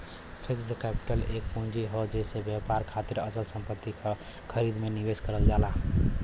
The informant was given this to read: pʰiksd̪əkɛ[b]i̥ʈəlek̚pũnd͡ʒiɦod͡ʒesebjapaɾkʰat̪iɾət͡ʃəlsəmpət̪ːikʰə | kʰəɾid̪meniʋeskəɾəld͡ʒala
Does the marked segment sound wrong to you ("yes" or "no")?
yes